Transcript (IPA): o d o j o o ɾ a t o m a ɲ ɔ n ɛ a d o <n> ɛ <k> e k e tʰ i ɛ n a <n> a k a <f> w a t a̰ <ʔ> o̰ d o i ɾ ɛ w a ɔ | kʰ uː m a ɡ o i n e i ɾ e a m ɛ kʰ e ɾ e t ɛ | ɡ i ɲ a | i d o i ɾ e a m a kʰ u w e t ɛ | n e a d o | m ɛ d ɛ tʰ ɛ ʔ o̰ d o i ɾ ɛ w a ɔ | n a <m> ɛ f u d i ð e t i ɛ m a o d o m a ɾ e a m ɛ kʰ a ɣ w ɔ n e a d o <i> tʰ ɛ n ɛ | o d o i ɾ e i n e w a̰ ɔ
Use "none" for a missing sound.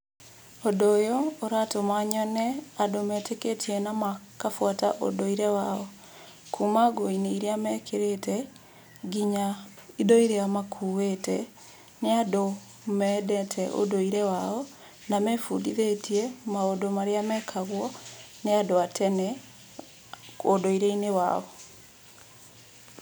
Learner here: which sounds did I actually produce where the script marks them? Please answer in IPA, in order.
m, t, m, f, ʔ, m, a

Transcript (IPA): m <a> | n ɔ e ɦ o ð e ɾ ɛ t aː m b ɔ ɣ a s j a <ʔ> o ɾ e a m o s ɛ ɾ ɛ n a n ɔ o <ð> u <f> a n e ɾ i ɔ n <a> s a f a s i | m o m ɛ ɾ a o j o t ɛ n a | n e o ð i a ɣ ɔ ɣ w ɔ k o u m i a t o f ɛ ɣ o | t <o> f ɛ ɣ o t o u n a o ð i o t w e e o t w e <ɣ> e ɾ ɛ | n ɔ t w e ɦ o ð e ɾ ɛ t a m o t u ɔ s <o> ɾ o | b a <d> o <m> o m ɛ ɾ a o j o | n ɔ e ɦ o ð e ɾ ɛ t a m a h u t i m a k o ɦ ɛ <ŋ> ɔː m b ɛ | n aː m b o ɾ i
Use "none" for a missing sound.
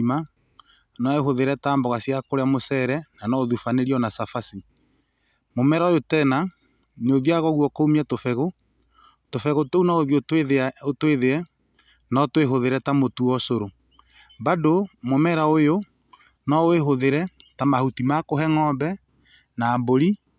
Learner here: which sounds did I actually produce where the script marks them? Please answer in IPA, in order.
a, k, ð, f, a, o, ð, o, d, m, ŋ

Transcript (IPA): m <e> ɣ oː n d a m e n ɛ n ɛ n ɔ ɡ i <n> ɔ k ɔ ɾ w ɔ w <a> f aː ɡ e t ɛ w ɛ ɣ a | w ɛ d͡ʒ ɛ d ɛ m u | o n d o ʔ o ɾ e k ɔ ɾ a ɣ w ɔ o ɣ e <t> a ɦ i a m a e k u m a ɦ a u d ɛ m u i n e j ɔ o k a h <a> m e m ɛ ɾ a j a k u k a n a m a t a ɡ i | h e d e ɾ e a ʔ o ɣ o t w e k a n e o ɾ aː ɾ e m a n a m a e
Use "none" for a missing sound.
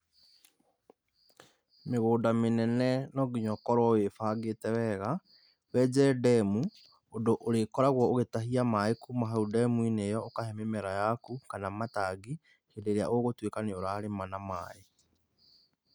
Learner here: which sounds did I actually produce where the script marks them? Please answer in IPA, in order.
e, ɲ, e, t, ɛ

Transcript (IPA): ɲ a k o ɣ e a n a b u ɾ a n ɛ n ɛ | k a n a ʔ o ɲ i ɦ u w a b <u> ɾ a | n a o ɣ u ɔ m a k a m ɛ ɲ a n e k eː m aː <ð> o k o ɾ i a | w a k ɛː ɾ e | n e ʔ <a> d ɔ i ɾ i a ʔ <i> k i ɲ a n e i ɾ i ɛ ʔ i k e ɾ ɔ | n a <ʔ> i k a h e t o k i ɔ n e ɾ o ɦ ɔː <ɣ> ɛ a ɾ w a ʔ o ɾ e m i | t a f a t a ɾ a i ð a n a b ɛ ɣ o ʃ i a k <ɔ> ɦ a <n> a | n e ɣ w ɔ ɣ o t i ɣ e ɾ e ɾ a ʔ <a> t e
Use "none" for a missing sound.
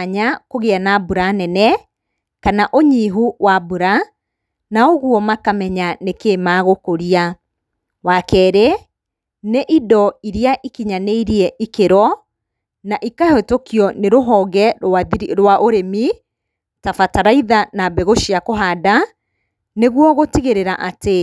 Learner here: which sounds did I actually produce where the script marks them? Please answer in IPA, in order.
u, ɣ, i, i, ʔ, ɣ, o, d, a

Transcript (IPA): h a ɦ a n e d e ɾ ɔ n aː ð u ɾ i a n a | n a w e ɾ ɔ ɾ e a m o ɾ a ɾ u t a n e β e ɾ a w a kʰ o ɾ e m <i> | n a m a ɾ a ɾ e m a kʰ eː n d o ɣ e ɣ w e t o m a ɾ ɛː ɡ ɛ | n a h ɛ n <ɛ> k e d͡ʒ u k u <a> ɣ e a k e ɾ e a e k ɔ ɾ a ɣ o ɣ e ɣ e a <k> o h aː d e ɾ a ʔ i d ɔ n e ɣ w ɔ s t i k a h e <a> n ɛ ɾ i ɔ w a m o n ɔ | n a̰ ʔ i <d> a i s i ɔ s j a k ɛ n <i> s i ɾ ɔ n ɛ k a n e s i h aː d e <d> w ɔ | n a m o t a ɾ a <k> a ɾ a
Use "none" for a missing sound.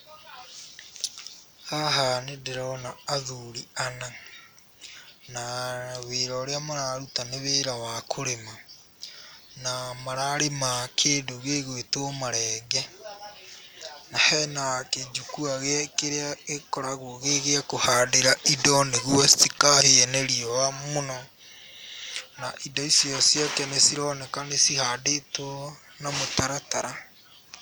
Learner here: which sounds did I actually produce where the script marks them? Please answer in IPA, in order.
a, a, a, k, ɛ, d, e, t, t

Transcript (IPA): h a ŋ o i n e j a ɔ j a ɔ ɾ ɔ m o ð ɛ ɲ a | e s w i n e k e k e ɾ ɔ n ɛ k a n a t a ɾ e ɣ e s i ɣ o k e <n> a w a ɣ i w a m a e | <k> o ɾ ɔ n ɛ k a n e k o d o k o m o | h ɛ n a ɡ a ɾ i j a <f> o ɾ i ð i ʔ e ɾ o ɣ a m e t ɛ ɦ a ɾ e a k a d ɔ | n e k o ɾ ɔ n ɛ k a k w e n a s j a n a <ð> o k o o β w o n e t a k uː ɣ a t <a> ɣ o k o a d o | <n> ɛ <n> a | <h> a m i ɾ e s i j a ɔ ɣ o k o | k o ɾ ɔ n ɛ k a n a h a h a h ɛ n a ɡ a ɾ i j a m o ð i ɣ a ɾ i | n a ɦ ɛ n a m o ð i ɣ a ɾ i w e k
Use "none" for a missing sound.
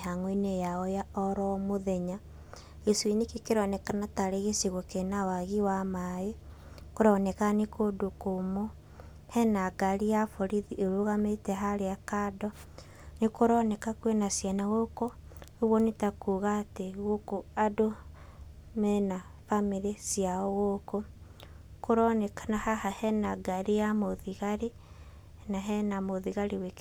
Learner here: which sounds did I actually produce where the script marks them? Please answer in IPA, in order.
n, k, f, ɣ, e, m, n, f

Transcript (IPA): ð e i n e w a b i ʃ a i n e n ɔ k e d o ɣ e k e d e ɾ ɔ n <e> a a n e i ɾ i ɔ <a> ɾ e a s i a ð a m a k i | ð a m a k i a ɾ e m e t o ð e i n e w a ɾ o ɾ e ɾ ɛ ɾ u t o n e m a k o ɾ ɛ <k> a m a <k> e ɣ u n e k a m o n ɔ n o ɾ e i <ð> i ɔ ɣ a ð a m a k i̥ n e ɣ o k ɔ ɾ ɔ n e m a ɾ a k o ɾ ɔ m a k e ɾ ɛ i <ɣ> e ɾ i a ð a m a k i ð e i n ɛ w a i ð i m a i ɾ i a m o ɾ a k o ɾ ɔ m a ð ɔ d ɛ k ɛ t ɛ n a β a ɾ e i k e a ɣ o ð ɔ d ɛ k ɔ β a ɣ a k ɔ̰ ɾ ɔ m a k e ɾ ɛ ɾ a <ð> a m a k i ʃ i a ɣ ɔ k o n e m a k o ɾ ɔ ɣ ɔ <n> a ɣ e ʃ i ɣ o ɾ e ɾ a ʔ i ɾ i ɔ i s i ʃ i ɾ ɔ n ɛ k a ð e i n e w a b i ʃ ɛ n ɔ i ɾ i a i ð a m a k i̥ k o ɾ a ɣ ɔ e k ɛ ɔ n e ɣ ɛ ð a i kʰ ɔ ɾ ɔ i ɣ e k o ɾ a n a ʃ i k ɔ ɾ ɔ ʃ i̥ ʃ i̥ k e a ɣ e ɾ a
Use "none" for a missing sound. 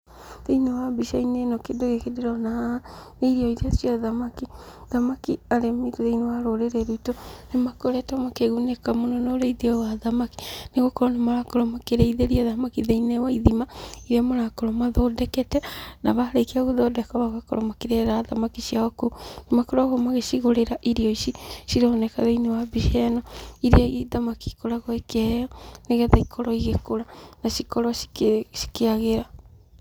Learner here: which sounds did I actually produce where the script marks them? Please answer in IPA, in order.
a, i, t, k, ð, ð, ð, m

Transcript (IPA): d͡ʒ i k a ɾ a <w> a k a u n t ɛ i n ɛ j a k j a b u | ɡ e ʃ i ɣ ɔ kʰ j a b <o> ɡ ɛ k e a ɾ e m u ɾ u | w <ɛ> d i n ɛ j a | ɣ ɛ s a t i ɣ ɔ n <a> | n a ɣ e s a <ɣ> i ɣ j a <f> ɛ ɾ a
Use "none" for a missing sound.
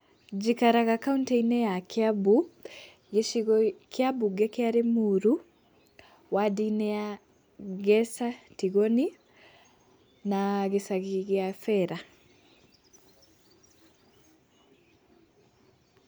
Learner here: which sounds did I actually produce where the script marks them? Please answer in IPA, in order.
ɣ, u, a, i, ɣ, f

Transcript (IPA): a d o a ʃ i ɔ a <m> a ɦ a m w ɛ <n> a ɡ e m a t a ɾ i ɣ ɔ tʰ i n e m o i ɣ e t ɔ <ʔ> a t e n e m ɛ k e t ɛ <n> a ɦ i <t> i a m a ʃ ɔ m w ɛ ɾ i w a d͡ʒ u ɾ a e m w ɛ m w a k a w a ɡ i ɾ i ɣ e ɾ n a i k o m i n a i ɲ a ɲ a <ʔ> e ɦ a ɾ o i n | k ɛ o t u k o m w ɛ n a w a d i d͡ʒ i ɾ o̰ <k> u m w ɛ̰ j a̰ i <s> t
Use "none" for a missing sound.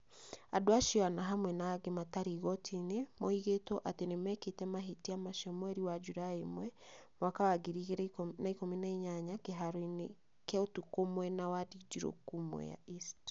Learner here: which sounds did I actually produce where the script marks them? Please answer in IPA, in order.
n, n, ʔ, m, t, k, k, s

